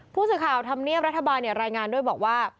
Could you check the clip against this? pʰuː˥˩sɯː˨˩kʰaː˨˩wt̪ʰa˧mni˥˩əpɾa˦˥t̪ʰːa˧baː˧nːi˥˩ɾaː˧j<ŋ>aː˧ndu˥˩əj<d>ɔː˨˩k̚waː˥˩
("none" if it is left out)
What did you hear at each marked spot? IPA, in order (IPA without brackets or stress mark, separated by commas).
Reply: ŋ, b